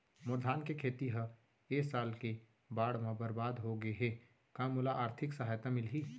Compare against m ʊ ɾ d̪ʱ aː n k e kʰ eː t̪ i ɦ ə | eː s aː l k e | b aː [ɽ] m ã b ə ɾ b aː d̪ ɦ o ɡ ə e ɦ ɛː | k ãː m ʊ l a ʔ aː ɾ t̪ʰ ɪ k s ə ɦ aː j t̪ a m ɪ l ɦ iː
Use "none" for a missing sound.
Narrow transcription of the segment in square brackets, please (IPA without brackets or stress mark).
ɽ